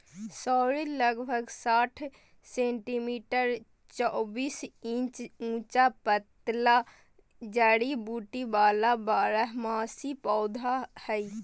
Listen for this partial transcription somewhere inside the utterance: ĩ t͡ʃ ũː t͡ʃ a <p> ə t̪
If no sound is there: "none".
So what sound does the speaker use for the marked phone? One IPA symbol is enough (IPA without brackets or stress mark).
p